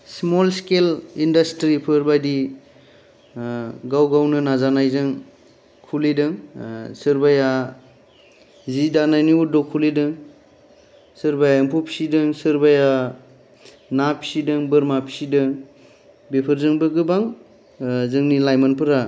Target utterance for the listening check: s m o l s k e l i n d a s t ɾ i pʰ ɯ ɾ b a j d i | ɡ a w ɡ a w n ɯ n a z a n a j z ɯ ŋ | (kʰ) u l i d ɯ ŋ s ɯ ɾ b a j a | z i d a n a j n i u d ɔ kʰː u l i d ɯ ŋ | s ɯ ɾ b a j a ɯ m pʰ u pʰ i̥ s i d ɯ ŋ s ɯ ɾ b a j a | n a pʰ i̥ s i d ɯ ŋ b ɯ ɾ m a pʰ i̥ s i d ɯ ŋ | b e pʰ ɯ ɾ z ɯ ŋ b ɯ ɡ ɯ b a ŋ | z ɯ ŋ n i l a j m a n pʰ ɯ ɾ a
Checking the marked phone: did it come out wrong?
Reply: no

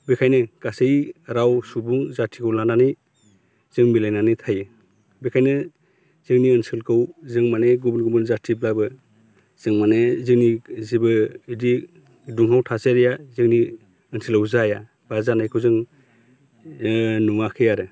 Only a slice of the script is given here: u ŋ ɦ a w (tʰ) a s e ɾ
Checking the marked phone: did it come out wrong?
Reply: no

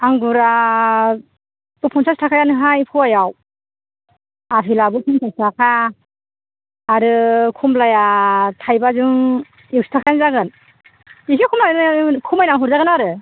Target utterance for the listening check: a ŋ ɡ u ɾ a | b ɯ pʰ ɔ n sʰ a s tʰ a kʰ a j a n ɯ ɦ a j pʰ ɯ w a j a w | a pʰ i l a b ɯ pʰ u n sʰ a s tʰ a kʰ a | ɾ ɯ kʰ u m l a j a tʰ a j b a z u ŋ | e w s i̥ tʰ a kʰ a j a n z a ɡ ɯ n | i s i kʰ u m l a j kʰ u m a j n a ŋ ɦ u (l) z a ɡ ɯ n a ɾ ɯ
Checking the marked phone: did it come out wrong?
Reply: yes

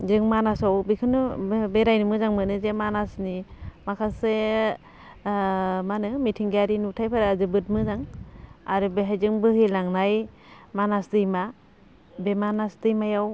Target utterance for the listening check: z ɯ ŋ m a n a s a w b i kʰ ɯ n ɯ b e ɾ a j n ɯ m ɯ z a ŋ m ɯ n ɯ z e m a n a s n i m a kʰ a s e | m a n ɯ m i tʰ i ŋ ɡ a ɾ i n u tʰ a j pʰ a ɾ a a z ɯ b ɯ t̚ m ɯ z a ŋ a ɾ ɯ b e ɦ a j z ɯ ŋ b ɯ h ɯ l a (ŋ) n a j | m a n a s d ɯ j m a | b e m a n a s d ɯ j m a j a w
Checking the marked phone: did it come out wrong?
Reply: no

